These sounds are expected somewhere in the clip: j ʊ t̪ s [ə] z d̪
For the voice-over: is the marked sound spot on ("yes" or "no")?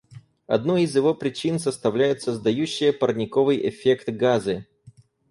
yes